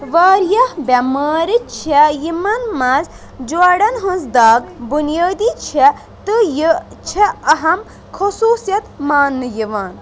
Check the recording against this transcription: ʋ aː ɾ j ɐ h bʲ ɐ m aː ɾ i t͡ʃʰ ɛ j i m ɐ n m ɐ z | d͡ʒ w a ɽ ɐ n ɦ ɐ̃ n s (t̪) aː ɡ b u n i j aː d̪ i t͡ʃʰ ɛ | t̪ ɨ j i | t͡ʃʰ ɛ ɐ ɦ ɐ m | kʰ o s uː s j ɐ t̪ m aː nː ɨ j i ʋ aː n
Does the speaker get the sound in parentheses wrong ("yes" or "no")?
yes